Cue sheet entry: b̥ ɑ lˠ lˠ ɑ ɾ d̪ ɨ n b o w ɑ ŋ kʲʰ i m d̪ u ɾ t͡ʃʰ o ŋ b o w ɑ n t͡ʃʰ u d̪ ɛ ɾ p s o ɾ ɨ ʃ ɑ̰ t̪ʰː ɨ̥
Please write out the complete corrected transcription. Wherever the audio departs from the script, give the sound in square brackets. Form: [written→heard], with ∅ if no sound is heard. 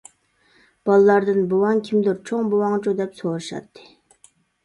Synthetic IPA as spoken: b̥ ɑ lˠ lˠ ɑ ɾ d̪ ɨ n b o w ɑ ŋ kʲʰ i m d̪ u ɾ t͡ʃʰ o ŋ b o w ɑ [n→ŋ] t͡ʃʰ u d̪ ɛ [ɾ→∅] p s o ɾ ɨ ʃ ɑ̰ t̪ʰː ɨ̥